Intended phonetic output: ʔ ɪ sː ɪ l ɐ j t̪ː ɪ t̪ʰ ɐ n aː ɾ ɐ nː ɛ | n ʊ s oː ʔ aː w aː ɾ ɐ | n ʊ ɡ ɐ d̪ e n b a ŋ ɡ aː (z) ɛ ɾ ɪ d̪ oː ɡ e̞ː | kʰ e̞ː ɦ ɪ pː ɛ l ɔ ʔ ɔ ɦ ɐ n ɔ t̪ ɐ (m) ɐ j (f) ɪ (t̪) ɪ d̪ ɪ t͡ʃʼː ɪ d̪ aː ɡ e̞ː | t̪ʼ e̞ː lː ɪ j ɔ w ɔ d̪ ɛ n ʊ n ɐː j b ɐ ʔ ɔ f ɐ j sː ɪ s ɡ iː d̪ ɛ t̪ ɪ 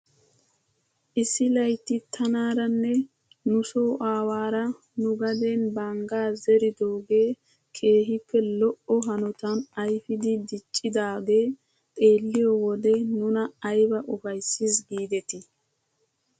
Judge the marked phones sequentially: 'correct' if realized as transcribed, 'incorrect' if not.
correct, incorrect: n, correct, incorrect: d̪

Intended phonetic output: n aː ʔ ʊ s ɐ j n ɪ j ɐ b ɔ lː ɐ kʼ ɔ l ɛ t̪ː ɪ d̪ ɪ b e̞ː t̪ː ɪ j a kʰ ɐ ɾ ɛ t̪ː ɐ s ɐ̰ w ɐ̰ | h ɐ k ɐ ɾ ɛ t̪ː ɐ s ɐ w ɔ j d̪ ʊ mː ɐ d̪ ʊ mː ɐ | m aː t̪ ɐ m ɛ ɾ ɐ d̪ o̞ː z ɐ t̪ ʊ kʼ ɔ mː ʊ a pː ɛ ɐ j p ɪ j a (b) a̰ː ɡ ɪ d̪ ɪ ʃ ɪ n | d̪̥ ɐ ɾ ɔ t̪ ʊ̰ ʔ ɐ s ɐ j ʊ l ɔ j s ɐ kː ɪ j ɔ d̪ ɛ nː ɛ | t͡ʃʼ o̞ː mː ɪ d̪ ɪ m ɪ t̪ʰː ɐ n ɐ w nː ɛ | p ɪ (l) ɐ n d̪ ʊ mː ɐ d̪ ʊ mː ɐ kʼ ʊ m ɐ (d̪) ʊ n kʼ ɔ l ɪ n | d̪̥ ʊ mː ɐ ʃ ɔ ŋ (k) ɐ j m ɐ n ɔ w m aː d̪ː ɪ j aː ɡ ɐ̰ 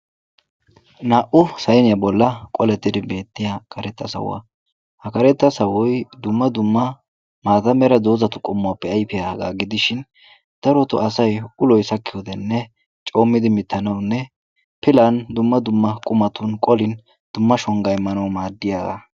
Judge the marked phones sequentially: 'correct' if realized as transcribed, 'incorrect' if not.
incorrect: ɡ, correct, incorrect: t̪, incorrect: ɡ

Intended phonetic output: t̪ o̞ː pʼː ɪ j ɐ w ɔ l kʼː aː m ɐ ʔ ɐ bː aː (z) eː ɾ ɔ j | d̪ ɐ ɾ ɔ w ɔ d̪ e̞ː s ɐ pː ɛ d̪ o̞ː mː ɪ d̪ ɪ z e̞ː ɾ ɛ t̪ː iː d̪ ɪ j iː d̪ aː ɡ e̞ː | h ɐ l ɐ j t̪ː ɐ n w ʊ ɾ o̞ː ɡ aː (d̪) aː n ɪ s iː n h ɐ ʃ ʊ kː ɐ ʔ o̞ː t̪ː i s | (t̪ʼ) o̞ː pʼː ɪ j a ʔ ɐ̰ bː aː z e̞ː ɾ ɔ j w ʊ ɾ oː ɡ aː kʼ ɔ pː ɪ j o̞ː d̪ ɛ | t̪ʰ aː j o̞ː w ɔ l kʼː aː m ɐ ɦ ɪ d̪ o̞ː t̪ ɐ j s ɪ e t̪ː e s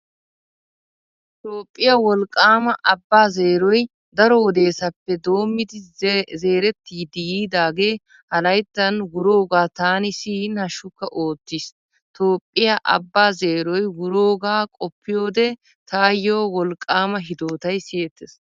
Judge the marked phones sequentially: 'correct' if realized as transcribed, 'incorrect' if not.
correct, incorrect: t̪, incorrect: t̪

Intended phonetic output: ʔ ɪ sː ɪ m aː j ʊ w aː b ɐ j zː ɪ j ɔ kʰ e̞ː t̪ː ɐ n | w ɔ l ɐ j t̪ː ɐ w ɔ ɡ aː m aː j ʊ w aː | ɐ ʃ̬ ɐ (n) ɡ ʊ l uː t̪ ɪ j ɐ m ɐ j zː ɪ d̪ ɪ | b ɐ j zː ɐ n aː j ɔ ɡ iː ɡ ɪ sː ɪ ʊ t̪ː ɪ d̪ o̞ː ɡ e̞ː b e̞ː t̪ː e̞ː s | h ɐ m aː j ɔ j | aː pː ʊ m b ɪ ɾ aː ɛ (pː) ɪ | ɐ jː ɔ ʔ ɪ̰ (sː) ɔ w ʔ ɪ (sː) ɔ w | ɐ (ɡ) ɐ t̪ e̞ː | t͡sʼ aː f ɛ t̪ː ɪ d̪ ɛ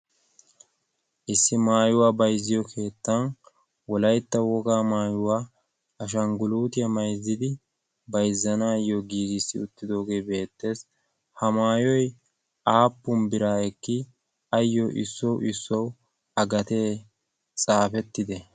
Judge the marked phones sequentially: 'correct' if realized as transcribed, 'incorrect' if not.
incorrect: ŋ, incorrect: kː, correct, correct, correct

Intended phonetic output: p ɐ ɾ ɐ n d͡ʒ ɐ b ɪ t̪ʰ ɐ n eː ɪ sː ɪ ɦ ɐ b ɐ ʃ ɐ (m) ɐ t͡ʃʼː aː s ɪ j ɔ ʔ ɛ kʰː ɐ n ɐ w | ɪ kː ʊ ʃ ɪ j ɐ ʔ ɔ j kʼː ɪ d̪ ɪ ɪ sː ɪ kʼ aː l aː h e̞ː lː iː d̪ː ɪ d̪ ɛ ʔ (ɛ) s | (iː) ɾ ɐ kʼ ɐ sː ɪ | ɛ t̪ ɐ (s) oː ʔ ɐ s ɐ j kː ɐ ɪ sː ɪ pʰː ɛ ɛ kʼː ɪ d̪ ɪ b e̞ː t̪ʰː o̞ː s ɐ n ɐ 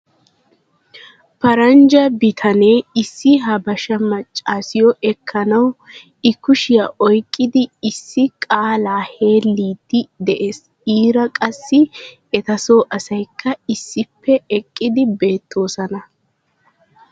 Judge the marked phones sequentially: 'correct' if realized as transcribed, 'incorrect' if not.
correct, incorrect: e, correct, correct

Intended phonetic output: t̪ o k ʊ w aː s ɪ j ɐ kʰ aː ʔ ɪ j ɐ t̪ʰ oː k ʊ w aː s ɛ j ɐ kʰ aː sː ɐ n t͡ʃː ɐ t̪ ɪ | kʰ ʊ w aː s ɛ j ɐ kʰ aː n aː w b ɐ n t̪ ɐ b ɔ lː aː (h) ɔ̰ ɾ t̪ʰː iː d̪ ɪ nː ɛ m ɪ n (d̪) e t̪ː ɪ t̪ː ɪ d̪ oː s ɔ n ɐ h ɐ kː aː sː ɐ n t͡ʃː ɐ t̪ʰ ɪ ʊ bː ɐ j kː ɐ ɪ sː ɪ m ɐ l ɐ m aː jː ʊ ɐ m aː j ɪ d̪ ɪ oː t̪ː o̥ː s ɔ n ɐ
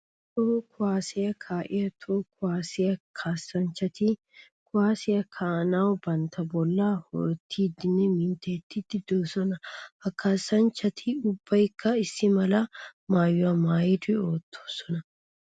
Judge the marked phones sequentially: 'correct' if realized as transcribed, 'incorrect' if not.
correct, incorrect: t̪

